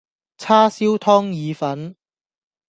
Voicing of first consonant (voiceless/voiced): voiceless